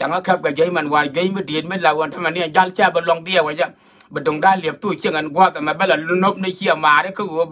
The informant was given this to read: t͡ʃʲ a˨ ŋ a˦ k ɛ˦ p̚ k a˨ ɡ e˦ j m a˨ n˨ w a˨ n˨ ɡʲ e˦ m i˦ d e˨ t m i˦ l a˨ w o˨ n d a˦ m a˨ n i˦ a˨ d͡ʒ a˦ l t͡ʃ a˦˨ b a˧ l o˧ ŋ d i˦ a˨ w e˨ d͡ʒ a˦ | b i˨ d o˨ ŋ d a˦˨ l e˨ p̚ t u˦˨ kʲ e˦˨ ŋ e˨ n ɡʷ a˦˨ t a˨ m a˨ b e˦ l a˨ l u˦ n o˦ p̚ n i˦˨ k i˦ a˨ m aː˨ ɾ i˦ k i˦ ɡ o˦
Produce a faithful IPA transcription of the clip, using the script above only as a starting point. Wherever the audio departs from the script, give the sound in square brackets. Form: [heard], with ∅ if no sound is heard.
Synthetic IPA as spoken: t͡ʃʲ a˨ ŋ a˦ k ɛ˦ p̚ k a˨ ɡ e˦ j m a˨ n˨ w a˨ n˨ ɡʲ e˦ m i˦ d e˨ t m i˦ l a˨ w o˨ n [t] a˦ m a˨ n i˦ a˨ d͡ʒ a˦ l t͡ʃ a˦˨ b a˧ l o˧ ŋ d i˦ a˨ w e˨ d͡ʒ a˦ | b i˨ d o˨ ŋ d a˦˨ l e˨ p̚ t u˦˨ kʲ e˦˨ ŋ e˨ n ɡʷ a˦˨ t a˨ m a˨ b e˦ l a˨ l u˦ n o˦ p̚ n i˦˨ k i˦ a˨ m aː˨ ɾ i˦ k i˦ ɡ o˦